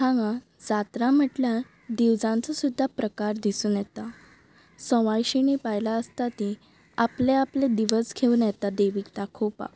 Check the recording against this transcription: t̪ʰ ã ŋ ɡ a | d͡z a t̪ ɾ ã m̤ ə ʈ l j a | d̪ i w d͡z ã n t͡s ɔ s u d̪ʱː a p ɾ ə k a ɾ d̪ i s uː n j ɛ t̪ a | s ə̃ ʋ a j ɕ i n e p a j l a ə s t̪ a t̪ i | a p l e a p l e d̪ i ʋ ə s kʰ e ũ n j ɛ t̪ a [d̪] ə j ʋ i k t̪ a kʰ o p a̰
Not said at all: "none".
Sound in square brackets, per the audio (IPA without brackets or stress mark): d̪